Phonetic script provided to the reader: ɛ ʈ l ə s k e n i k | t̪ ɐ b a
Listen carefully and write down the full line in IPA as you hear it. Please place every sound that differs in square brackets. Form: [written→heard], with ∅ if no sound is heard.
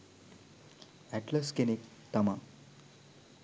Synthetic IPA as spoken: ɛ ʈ l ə s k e n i k | t̪ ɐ [b→m] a